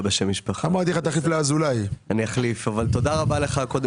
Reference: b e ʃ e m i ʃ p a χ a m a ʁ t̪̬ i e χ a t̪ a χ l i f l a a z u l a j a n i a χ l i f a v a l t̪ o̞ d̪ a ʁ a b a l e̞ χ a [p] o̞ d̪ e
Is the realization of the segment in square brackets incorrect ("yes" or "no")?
yes